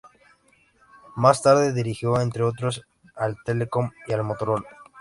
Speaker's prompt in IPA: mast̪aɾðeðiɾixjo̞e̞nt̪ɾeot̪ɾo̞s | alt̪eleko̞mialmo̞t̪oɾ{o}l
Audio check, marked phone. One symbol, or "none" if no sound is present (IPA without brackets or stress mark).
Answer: o